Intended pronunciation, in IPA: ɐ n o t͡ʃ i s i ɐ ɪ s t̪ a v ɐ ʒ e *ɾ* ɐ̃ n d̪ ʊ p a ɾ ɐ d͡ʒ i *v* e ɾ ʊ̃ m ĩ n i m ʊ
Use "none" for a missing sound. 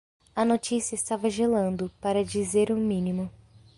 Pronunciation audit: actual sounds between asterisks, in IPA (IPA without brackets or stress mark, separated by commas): l, z